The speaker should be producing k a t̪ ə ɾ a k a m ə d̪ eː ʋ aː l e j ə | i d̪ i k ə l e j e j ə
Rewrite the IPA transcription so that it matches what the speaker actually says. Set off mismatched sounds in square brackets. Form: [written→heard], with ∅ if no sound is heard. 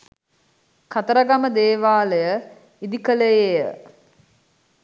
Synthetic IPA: k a t̪ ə ɾ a [k→ɡ] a m ə d̪ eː ʋ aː l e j ə | i d̪ i k ə l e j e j ə